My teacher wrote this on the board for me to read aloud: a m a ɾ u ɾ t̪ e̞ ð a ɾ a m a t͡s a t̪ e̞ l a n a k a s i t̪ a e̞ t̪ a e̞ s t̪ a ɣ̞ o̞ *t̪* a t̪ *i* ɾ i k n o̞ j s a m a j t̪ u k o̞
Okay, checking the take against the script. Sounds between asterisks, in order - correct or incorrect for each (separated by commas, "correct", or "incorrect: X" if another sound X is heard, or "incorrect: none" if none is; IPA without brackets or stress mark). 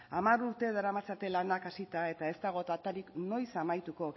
correct, incorrect: a